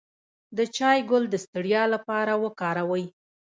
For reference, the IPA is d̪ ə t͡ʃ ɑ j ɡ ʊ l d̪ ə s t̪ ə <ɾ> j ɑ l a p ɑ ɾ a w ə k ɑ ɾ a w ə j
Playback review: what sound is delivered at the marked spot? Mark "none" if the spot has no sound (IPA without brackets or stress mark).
ɽ